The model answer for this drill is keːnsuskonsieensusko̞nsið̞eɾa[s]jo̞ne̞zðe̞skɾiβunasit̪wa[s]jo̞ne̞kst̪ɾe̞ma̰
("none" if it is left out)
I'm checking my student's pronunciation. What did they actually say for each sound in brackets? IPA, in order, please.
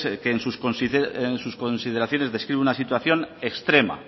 θ, θ

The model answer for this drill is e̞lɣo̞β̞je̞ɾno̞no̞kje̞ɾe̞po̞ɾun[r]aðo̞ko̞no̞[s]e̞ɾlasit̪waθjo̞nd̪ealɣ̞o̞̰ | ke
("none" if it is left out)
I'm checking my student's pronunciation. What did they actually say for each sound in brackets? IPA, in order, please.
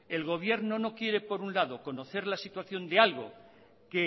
l, θ

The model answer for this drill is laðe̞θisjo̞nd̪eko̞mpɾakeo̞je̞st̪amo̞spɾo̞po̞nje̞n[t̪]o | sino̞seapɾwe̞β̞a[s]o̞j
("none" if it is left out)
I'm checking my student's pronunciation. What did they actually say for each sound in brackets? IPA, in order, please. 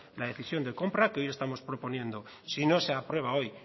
d̪, none

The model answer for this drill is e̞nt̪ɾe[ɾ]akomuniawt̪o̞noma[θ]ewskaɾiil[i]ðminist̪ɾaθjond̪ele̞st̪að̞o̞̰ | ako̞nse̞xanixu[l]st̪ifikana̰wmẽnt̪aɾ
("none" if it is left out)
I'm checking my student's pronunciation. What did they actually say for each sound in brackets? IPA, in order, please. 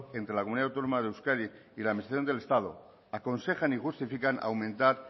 l, ð, a, none

